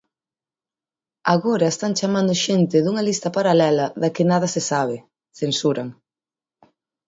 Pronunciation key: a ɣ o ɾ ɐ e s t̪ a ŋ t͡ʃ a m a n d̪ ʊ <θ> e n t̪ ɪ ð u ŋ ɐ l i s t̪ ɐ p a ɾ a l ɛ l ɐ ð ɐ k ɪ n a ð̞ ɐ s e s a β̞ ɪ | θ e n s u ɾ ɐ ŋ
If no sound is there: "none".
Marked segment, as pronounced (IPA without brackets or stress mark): ʃ